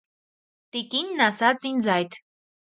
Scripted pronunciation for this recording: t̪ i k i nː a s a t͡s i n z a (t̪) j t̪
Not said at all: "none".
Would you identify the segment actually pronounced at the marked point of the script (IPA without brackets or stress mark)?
none